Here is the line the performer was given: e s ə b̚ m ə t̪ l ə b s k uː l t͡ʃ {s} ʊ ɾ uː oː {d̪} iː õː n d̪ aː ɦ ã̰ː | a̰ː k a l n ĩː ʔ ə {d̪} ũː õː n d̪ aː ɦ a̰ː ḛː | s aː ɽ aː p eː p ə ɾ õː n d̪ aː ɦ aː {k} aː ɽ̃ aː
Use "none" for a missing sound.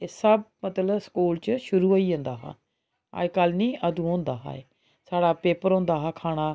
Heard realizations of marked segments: ʃ, none, d̪, kʰ

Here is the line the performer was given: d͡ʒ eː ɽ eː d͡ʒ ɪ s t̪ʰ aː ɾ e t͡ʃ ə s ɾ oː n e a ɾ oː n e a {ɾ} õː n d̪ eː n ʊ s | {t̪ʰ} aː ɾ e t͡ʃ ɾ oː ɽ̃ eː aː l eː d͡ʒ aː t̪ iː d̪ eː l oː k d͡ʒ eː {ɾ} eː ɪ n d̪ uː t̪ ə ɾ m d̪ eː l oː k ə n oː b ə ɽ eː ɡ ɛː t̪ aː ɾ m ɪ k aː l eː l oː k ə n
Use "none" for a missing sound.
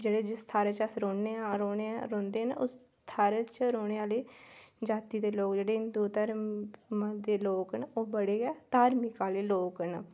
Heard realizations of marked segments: ɾ, t̪ʰ, ɽ

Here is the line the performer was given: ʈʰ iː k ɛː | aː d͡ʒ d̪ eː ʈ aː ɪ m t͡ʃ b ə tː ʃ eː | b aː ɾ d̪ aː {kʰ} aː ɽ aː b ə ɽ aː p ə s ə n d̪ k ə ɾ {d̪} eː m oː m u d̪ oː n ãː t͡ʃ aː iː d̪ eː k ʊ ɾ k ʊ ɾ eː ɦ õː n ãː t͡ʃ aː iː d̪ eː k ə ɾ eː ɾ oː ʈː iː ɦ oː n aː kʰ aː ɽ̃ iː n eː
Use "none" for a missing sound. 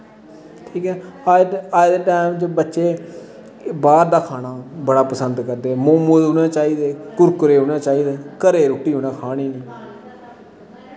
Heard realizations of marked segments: kʰ, d̪

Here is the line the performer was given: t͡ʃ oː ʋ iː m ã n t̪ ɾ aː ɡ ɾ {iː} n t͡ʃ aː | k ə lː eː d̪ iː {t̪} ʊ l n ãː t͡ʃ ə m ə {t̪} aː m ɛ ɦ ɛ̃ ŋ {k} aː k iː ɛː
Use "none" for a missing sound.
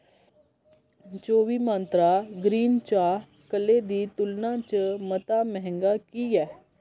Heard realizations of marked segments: iː, t̪, t̪, ɡ

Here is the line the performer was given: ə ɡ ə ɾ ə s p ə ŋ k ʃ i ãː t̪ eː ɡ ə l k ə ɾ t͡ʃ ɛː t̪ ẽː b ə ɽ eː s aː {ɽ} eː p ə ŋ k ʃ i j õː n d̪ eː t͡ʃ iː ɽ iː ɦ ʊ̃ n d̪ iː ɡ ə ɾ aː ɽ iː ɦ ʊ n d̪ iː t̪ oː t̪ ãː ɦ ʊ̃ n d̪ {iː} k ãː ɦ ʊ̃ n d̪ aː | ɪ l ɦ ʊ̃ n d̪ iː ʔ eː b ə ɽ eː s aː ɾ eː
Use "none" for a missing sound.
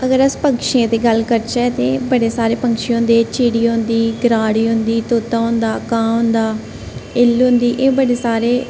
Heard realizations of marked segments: ɾ, aː

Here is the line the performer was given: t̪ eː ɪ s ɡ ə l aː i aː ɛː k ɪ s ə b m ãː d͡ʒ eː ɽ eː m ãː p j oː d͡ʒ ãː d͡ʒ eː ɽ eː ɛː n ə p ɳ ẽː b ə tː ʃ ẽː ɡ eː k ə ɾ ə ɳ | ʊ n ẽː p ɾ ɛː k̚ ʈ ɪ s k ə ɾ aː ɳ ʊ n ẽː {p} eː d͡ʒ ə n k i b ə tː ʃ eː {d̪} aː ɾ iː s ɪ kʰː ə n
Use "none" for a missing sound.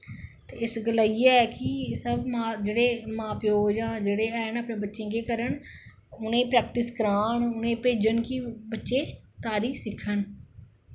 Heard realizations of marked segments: p, t̪

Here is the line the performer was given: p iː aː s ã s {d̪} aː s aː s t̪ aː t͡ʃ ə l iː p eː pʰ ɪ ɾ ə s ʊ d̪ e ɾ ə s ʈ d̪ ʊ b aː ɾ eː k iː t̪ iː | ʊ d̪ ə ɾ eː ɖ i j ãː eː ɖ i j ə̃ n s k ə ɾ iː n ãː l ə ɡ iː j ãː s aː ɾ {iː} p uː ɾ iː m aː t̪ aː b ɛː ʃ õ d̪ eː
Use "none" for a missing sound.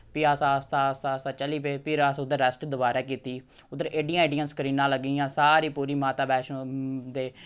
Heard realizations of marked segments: t̪, iː

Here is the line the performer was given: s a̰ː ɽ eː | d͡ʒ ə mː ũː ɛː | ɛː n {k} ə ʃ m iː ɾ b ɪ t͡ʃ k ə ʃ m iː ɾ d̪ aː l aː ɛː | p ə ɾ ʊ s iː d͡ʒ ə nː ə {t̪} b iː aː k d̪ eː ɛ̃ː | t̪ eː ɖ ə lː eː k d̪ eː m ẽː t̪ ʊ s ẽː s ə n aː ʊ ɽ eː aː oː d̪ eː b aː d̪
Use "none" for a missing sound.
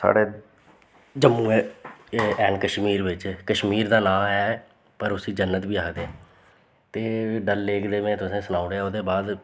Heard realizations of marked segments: k, t̪

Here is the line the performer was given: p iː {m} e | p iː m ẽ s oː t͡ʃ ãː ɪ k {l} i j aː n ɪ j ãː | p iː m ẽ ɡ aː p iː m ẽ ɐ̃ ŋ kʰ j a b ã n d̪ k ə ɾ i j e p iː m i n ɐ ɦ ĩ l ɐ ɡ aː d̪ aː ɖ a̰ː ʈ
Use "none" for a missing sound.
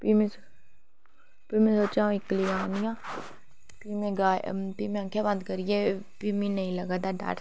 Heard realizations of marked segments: m, l

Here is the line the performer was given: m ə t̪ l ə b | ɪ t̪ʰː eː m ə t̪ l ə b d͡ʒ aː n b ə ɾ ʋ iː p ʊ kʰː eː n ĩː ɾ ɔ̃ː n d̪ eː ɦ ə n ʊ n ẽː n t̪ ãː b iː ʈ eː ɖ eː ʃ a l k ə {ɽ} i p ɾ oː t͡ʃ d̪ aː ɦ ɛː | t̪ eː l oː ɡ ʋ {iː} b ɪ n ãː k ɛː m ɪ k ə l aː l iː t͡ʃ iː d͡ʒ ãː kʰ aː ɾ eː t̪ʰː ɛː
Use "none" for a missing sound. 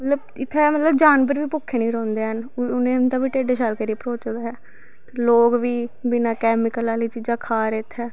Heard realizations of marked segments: ɾ, iː

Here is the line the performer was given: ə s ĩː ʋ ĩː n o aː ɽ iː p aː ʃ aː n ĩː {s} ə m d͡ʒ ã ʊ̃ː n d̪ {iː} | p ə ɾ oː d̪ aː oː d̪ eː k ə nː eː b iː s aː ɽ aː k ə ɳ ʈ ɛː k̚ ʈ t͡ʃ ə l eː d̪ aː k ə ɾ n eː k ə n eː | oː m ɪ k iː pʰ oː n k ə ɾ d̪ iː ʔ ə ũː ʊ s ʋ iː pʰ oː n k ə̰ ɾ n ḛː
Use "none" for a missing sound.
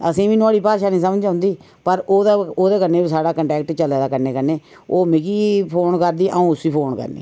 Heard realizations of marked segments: s, iː

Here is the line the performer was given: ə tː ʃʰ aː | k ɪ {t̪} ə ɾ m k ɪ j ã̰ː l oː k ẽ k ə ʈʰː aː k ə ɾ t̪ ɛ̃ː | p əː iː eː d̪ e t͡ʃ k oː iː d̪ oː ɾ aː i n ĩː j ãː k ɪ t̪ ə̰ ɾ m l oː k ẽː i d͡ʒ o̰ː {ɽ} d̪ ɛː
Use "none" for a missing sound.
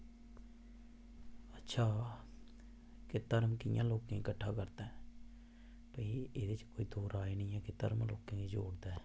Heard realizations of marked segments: t̪, ɽ

